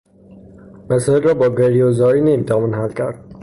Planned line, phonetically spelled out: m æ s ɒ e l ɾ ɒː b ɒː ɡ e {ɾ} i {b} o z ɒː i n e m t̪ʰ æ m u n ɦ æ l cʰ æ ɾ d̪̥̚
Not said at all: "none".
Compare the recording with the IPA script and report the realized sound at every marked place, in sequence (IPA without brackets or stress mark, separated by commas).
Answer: ɾ, none